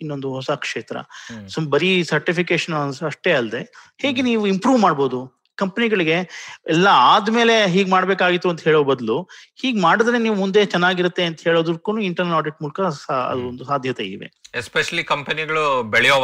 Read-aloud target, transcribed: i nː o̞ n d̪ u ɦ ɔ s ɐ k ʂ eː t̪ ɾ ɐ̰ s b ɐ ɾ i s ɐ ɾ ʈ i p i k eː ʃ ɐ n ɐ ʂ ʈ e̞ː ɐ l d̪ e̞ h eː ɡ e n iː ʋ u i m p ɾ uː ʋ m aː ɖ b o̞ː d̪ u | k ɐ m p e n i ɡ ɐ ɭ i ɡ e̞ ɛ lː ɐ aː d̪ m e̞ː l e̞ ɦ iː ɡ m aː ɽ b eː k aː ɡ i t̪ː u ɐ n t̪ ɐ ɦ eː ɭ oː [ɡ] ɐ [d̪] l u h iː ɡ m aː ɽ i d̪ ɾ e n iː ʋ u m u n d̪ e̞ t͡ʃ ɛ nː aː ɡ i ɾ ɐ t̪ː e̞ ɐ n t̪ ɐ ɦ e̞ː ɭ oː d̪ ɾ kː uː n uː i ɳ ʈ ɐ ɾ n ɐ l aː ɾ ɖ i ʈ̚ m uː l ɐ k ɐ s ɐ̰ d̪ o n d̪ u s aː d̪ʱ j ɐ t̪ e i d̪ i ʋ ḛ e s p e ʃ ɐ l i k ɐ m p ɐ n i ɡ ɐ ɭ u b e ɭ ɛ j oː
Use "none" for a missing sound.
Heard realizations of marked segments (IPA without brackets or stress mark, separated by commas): b, d̪